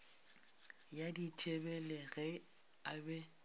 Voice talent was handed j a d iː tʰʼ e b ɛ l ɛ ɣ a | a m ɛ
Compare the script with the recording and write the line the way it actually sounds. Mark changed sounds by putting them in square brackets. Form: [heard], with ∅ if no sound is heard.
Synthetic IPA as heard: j a d [i] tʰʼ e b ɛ l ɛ ɣ [ɛ] | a [b] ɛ